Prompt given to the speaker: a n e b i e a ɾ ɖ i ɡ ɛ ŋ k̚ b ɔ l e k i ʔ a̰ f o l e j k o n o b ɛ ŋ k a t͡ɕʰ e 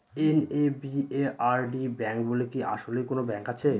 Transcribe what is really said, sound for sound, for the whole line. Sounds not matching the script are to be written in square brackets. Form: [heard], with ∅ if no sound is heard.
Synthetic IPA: [e] n e b i e a ɾ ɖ i [b] ɛ ŋ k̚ b [o] l e k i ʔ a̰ [ʃ] o l e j k o n o b ɛ ŋ k a t͡ɕʰ e